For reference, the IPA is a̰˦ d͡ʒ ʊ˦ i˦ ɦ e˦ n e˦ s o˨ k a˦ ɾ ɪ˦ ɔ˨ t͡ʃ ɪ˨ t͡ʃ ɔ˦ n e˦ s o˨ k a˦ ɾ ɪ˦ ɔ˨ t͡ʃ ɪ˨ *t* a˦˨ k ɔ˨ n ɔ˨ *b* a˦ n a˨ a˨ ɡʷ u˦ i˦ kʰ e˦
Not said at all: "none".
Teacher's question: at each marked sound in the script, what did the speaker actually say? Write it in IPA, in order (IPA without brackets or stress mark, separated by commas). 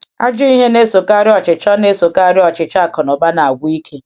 t͡ʃ, b